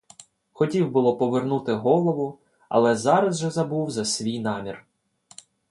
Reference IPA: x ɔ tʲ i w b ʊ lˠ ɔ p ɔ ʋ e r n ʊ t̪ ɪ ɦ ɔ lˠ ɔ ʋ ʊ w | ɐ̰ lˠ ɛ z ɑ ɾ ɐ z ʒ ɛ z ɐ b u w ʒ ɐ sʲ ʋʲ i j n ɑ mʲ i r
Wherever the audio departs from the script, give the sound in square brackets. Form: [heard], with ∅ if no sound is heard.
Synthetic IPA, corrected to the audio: x ɔ tʲ i w b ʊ lˠ ɔ p ɔ ʋ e r n [u] t̪ ɪ ɦ ɔ lˠ ɔ ʋ ʊ [∅] | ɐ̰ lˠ ɛ z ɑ ɾ ɐ z ʒ ɛ z ɐ b u w [z] ɐ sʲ ʋʲ i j n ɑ mʲ i r